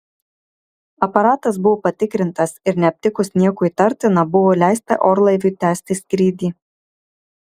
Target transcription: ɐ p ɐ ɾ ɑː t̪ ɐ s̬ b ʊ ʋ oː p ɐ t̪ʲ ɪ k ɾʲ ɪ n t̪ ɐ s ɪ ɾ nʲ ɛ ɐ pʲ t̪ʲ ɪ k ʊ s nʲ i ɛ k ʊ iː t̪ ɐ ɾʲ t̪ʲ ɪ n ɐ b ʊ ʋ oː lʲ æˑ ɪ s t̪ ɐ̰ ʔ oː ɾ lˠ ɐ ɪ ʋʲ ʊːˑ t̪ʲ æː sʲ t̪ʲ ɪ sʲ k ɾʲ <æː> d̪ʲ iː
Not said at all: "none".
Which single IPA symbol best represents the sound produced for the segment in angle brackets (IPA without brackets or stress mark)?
iː